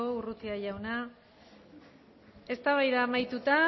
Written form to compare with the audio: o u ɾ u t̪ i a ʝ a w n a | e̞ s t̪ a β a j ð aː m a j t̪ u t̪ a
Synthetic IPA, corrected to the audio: o u r u t̪ i a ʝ a w n a | e̞ s t̪ a β a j ð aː m a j t̪ u t̪ a